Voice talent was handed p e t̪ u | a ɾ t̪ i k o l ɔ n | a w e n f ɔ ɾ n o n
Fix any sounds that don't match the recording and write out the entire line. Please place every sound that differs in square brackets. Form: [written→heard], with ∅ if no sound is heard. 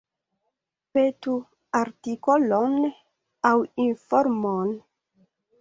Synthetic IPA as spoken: p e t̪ u | a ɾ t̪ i k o l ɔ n | a w [e→i] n f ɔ ɾ [n→m] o n